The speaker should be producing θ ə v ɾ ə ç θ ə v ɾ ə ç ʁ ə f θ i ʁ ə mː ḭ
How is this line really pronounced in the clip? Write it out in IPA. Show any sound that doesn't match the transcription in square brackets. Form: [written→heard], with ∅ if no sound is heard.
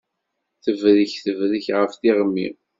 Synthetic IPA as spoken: θ ə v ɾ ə ç θ ə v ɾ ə ç ʁ ə f θ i ʁ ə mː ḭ